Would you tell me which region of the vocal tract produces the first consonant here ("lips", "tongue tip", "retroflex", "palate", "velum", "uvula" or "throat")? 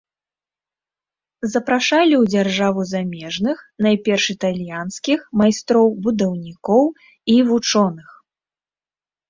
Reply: tongue tip